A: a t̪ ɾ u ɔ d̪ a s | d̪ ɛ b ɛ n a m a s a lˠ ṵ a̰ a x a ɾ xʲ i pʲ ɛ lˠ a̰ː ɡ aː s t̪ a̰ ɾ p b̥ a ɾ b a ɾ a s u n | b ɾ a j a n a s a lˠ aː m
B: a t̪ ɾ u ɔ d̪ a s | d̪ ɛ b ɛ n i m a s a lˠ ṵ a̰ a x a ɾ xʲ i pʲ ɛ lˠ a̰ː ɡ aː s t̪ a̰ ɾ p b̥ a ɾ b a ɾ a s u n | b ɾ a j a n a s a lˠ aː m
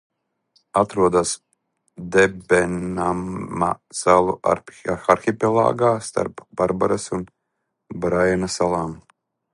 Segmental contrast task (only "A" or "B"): A